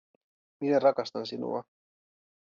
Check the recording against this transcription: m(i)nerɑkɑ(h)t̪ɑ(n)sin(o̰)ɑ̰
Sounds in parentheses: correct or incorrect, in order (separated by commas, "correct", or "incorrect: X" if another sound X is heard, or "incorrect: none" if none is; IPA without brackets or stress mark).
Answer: correct, incorrect: s, correct, incorrect: ṵ